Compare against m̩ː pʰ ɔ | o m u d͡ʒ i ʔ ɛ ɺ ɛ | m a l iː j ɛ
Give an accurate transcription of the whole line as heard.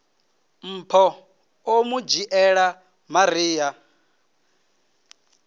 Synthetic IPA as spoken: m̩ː pʰ ɔ | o m u d͡ʒ i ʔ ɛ ɺ a | m a ɾ iː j a

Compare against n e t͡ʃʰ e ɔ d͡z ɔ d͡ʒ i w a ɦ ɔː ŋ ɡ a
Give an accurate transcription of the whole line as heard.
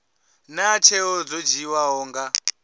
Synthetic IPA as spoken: n a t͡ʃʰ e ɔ d͡z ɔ d͡ʒ i w a ɦ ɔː ŋ ɡ a

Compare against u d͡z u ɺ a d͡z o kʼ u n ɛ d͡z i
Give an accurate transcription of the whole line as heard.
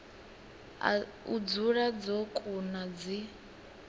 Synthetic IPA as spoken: u d͡z u ɺ a d͡z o kʼ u n a d͡z i

